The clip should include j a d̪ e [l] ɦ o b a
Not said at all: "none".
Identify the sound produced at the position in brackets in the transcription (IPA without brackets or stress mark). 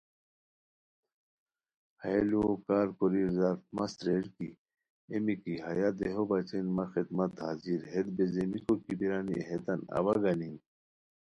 none